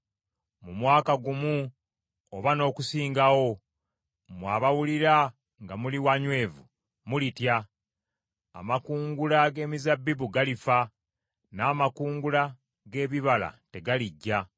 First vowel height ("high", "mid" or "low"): high